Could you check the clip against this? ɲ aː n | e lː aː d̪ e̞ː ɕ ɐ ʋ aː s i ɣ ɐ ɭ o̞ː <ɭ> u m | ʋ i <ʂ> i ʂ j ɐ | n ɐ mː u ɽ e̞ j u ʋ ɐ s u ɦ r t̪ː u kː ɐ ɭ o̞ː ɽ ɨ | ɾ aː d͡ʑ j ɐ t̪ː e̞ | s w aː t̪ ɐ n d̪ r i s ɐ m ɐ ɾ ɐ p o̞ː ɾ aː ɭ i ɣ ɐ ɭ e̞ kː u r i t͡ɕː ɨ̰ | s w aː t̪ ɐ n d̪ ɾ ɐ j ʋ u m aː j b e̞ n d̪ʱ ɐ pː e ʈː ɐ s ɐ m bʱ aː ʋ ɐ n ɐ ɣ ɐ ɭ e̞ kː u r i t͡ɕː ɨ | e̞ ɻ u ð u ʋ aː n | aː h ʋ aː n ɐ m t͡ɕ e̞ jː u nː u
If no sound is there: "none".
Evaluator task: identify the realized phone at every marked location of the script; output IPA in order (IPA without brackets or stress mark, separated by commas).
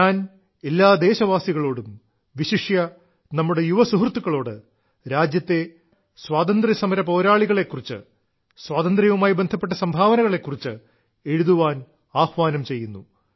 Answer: ɽ, ɕ